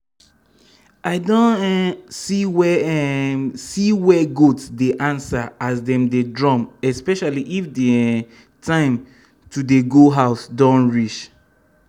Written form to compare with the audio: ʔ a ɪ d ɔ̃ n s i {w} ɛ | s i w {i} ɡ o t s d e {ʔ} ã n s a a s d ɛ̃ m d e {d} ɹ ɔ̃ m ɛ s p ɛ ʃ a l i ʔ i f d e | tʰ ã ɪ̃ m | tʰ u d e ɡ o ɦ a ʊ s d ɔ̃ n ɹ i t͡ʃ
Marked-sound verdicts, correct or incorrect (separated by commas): correct, incorrect, correct, correct